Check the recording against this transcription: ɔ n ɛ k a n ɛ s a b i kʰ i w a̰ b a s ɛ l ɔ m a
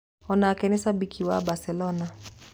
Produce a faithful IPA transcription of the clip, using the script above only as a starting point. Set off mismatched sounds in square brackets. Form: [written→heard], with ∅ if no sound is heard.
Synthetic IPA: ɔ n [ɛ→a] k [a→ɛ] n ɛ s a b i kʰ i w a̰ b a s ɛ l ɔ [m→n] a